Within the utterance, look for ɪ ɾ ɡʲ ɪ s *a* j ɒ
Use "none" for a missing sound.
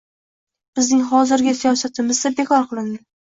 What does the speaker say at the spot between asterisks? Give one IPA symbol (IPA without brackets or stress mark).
i